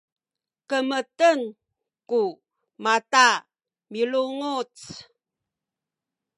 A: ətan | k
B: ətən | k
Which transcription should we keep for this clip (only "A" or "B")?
B